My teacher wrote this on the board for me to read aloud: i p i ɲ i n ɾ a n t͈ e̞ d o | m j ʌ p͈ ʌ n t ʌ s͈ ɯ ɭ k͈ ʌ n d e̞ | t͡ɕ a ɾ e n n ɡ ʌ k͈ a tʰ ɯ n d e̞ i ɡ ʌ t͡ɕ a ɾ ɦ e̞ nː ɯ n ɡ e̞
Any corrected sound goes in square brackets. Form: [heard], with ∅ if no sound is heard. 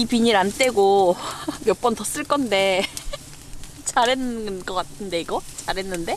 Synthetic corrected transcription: i p i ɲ i [∅] ɾ a n t͈ e̞ [ɡ] o | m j ʌ p͈ ʌ n t ʌ s͈ ɯ ɭ k͈ ʌ n d e̞ | t͡ɕ a ɾ e n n ɡ ʌ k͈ a tʰ ɯ n d e̞ i ɡ ʌ t͡ɕ a ɾ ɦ e̞ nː ɯ n [d] e̞